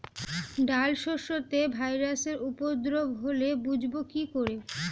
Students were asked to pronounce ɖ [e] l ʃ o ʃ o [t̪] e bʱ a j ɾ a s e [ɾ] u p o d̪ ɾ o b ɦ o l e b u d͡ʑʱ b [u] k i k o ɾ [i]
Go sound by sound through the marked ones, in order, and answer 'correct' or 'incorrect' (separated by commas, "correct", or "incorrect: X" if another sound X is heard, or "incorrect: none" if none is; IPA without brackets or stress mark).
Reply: incorrect: a, correct, correct, incorrect: o, incorrect: e